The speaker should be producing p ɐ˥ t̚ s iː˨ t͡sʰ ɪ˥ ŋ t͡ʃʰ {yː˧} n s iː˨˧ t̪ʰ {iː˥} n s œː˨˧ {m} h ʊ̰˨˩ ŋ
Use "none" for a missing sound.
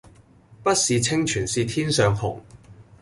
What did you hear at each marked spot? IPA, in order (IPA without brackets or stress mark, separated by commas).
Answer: yː˨˩, iː˥, ŋ